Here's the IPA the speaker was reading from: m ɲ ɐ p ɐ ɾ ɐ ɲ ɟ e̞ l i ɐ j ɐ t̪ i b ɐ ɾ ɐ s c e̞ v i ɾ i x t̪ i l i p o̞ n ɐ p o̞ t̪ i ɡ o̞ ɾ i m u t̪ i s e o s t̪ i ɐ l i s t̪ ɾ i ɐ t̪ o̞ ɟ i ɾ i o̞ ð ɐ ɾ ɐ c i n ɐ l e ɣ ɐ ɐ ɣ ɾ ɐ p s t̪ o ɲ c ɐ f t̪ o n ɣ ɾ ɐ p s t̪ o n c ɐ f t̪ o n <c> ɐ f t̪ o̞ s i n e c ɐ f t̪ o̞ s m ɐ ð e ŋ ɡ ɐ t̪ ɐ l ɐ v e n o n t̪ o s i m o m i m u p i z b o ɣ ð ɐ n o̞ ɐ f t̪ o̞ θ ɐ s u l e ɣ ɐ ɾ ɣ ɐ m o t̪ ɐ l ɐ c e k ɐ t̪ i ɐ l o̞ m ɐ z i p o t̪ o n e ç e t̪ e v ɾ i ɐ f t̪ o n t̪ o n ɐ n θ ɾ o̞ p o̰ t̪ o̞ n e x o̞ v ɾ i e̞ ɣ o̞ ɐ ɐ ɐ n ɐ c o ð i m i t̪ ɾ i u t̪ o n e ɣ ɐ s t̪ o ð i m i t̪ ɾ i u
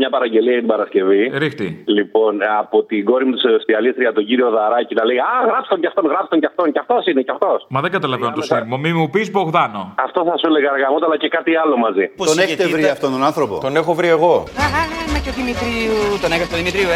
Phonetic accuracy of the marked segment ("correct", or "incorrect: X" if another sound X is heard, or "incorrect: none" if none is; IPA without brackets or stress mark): correct